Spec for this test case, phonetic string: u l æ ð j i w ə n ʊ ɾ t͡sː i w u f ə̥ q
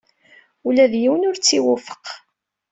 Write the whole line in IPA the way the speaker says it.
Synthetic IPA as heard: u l æ ð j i w ə n ʊ ɾ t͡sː i w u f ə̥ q